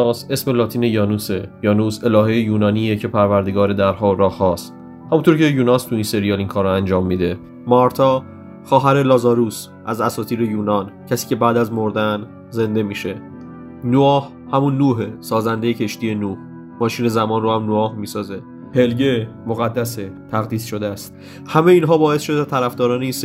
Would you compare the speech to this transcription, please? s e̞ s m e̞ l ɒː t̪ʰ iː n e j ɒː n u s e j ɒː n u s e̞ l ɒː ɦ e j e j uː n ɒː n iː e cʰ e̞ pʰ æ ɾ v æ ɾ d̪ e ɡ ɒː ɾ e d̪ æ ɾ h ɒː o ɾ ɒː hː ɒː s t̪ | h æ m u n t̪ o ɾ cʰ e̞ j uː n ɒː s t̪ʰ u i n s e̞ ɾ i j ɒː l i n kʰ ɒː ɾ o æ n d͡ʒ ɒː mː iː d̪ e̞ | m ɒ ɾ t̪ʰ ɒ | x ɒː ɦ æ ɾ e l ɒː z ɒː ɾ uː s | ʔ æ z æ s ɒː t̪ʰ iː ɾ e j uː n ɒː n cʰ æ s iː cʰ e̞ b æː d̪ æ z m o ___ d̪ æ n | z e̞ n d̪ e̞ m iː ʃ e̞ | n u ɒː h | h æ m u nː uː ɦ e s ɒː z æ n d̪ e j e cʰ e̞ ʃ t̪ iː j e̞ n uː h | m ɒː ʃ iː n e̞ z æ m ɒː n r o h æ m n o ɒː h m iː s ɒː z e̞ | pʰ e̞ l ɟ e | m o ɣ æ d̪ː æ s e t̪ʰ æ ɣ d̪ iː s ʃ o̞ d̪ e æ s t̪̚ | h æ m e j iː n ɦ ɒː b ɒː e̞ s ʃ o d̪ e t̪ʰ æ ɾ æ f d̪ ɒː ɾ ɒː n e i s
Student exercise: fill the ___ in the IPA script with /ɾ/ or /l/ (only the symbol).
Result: ɾ